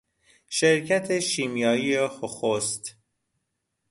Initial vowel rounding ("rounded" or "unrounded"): unrounded